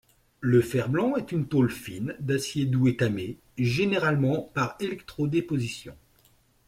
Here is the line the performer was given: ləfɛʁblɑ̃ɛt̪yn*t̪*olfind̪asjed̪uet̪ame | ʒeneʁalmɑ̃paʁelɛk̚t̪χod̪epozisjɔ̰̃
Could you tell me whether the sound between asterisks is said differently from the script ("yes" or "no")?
no